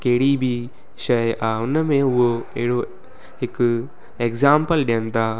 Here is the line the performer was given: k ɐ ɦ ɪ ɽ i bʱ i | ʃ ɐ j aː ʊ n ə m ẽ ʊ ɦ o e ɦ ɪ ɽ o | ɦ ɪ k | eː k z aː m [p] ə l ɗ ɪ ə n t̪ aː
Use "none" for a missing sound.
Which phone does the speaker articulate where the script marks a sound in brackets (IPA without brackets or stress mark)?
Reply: p